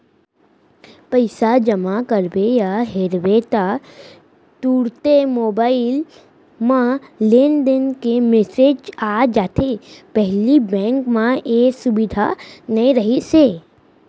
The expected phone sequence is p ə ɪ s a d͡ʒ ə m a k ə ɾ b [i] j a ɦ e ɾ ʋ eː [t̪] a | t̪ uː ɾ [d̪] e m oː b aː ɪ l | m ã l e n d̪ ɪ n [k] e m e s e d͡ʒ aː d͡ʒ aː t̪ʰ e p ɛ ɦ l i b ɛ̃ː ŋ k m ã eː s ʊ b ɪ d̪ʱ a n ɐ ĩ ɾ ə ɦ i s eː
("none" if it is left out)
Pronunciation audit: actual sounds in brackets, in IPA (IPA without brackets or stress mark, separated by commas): e, t̪, t̪, k